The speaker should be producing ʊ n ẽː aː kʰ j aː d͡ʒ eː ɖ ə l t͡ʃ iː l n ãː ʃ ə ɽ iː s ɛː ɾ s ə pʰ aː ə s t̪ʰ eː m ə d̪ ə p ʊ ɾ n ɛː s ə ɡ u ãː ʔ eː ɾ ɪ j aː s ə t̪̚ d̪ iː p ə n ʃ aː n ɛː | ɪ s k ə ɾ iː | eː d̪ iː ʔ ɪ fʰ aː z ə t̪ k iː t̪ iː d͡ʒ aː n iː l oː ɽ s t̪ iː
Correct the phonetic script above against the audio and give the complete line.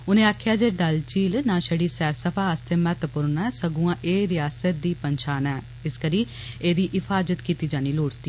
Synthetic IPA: ʊ n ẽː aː kʰ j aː d͡ʒ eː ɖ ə l t͡ʃ iː l n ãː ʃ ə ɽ iː s ɛː ɾ s ə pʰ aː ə s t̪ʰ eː m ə t̪ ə p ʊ ɾ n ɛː s ə ɡ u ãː ʔ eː ɾ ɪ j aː s ə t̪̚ d̪ iː p ə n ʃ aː n ɛː | ɪ s k ə ɾ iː | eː d̪ iː ʔ ɪ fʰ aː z ə t̪ k iː t̪ iː d͡ʒ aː n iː l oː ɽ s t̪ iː